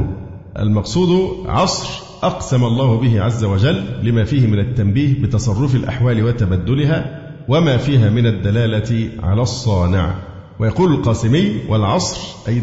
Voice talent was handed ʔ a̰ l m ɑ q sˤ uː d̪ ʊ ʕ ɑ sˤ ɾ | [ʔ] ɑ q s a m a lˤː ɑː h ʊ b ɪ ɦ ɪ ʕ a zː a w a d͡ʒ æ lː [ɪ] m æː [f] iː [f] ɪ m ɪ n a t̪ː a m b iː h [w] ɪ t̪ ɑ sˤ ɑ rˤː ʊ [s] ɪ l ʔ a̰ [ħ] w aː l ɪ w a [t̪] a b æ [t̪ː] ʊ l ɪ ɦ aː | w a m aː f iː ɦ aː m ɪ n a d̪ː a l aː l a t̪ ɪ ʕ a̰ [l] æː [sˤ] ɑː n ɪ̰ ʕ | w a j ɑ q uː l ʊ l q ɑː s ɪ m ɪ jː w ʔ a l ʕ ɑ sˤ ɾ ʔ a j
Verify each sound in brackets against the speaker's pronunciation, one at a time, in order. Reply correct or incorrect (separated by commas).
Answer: correct, correct, correct, incorrect, incorrect, incorrect, correct, correct, incorrect, correct, incorrect